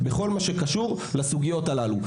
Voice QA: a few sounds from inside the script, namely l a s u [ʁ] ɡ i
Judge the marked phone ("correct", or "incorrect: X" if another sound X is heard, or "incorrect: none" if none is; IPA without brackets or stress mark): incorrect: none